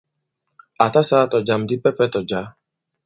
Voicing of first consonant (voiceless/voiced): voiceless